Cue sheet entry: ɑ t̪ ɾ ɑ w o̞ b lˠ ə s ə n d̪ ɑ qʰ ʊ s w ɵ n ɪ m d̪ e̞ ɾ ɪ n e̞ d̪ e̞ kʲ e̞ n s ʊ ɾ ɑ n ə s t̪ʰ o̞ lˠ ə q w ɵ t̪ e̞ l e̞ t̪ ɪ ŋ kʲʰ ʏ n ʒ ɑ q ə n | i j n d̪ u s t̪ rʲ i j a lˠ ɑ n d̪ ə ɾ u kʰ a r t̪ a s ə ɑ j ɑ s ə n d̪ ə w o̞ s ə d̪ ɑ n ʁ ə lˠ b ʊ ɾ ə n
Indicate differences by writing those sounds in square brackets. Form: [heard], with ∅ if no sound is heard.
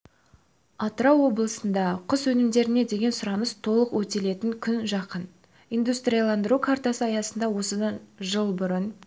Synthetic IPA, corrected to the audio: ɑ t̪ ɾ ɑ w o̞ b lˠ ə s ə n d̪ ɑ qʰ ʊ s w ɵ n ɪ m d̪ e̞ ɾ ɪ n e̞ d̪ e̞ [ɡʲ] e̞ n s ʊ ɾ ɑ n ə s t̪ʰ o̞ lˠ ə q w ɵ t̪ e̞ l e̞ t̪ ɪ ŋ kʲʰ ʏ n ʒ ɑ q ə n | i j n d̪ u s t̪ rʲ i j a lˠ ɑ n d̪ ə ɾ u kʰ a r t̪ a s ə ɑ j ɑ s ə n d̪ [ɑ] w o̞ s ə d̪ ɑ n [ʒ] ə lˠ b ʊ ɾ ə n